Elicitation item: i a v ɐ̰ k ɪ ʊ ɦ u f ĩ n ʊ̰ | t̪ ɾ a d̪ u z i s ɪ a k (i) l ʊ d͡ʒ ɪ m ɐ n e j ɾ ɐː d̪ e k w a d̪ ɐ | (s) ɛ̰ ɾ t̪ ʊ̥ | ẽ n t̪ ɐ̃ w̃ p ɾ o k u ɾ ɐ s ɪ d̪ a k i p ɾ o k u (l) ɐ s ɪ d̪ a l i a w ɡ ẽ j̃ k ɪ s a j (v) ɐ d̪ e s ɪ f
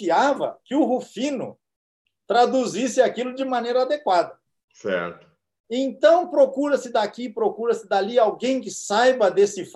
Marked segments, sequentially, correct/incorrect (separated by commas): correct, correct, incorrect, incorrect